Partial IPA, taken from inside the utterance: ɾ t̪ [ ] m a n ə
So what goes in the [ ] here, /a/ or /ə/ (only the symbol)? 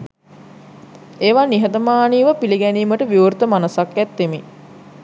ə